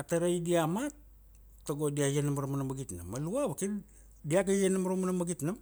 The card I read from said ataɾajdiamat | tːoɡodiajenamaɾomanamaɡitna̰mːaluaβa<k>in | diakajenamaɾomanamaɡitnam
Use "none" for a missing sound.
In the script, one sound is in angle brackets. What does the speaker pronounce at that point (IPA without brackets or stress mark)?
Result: k